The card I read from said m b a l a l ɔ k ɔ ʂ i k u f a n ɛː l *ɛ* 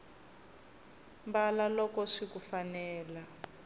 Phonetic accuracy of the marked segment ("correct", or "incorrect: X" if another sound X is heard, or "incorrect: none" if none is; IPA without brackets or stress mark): incorrect: a